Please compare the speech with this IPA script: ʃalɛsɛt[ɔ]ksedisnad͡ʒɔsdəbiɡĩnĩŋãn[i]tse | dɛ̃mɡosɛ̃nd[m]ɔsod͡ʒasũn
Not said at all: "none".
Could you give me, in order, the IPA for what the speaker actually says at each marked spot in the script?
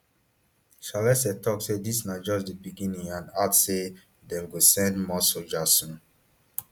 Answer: ɔ, a, m

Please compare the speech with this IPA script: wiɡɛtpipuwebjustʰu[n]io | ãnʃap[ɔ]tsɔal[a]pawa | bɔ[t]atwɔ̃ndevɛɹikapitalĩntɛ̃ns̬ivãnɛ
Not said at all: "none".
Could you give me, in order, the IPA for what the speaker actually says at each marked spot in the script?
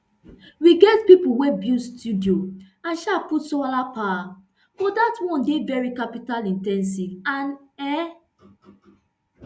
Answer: d, u, a, d

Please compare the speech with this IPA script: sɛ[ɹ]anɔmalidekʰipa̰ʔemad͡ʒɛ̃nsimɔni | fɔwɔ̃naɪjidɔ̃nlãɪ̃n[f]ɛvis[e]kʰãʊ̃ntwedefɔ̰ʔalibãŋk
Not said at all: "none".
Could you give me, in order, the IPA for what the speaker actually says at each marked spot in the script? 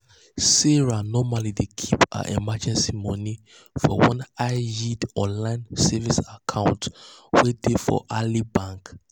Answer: ɹ, s, a

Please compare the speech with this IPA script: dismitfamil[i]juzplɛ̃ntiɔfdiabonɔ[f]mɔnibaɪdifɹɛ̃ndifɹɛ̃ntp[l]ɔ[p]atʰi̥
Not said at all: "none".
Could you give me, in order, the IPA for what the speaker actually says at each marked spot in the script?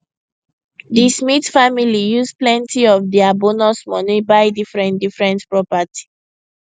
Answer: i, s, ɹ, p

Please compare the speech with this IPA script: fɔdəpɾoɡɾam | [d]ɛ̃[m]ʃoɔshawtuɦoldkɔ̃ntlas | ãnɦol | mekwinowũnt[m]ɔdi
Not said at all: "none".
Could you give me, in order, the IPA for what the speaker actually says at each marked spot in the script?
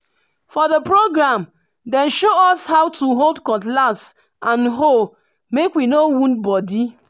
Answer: d, n, b

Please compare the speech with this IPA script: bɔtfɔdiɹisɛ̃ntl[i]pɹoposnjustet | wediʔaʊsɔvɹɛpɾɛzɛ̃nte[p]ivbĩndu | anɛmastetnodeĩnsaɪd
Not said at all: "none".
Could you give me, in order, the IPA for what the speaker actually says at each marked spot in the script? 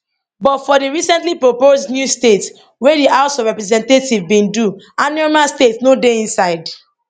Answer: i, t

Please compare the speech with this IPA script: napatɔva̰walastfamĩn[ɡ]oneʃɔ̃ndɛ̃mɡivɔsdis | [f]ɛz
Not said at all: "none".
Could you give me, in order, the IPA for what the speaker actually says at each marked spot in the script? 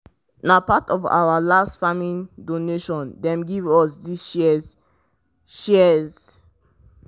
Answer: d, ʃ

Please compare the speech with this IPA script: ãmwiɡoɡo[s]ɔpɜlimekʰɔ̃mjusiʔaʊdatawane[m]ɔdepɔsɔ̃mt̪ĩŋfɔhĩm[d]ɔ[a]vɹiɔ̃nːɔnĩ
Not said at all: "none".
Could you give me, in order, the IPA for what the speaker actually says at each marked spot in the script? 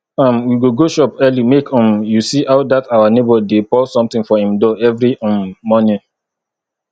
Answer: ʃ, b, d, ɛ

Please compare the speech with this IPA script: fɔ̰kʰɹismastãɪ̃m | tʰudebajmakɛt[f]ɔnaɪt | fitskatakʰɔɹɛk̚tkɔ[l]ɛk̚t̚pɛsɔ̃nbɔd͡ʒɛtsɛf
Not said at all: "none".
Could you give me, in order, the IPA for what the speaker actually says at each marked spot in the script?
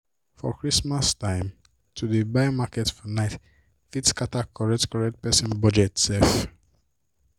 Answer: f, ɹ

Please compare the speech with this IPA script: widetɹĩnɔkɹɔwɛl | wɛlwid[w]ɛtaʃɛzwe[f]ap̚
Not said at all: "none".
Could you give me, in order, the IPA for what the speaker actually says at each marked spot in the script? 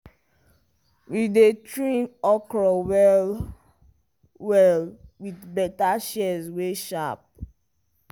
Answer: b, ʃ

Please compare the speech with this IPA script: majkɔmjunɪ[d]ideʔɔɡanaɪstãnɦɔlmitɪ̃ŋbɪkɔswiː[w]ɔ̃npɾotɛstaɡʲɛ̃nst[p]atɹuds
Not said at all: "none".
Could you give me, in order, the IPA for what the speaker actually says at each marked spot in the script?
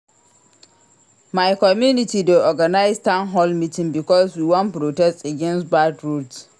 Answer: t, w, b

